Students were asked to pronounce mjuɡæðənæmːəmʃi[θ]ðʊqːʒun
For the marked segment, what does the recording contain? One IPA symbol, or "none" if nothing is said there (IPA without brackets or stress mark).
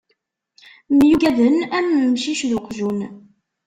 ʃ